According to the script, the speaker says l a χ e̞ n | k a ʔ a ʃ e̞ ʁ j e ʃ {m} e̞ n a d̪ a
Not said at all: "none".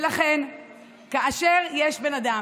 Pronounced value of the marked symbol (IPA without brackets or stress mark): b